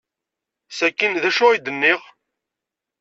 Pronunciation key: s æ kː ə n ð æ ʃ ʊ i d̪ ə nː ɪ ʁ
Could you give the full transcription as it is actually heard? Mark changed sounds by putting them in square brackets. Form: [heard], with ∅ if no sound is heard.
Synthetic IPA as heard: s æ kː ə n ð æ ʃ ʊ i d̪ ə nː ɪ ʁ